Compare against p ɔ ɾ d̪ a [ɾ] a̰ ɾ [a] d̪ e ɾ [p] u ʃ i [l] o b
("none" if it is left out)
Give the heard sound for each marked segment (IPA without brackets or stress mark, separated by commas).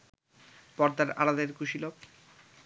ɾ, a, k, l